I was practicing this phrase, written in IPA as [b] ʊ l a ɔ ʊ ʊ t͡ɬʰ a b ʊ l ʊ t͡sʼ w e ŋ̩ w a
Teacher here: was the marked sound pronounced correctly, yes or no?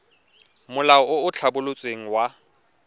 no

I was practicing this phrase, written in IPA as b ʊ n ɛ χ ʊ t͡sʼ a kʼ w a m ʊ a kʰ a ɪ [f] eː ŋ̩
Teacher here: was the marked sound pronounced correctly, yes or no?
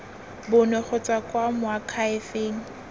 yes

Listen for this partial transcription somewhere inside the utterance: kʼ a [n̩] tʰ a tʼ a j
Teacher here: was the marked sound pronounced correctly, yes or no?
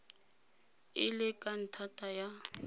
yes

